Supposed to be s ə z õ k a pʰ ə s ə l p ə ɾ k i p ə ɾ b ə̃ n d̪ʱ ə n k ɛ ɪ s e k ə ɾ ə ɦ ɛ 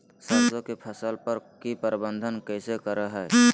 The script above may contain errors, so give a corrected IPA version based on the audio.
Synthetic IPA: s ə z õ k e pʰ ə s ə l p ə ɾ k i p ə ɾ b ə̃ n d̪ʱ ə n k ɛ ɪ s e k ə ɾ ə ɦ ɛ